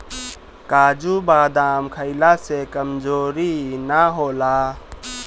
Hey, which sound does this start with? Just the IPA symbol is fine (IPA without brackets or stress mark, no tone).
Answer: k